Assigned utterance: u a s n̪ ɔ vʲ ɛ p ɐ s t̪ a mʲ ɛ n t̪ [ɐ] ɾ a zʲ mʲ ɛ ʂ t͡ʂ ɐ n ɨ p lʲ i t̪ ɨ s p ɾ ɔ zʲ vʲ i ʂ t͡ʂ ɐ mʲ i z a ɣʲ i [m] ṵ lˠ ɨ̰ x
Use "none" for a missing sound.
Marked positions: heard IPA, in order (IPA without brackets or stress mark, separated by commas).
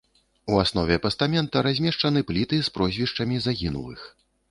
ɐ, n